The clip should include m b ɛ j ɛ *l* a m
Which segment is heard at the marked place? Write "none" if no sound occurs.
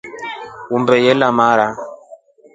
l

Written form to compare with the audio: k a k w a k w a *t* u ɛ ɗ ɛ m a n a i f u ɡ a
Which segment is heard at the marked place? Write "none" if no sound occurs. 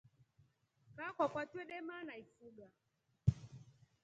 t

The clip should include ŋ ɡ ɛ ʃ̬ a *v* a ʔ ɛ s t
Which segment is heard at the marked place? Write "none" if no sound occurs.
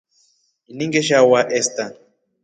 w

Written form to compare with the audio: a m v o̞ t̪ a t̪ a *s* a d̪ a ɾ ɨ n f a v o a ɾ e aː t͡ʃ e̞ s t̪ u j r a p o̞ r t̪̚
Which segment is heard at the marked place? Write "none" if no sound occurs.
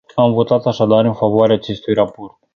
ʃ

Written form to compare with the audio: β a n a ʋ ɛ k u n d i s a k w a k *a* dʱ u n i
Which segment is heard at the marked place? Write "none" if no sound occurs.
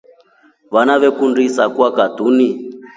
a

